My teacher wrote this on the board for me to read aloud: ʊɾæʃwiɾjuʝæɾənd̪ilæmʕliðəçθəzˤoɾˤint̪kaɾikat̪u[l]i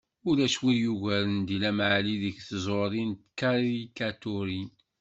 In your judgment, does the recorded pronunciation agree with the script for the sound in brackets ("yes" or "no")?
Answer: no